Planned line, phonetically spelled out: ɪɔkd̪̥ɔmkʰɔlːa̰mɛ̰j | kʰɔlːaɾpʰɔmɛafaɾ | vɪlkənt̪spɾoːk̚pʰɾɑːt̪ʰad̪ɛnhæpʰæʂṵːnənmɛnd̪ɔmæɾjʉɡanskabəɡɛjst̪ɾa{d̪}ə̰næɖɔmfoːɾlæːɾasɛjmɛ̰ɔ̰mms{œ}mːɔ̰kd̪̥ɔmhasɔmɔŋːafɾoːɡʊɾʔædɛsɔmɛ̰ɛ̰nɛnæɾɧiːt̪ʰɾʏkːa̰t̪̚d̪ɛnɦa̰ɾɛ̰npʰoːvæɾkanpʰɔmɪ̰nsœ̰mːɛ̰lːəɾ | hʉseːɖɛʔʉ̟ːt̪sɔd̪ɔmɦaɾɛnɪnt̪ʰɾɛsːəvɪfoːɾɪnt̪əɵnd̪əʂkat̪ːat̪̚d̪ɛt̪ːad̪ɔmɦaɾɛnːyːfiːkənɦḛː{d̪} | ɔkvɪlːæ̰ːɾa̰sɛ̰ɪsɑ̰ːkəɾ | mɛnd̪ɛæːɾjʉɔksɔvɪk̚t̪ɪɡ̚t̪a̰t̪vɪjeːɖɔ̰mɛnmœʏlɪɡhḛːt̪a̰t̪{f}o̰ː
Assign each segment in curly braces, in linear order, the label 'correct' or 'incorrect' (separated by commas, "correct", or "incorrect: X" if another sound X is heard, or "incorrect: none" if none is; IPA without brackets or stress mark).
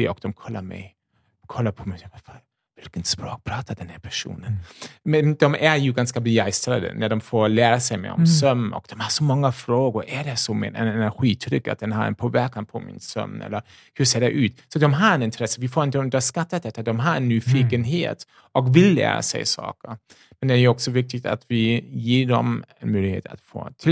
correct, correct, incorrect: t̪, correct